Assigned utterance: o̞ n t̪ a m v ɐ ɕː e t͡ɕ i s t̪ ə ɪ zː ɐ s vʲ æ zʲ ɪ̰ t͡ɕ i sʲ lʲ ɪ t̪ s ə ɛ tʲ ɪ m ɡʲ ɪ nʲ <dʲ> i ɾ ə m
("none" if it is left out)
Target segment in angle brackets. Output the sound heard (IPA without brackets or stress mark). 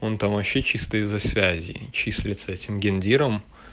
dʲ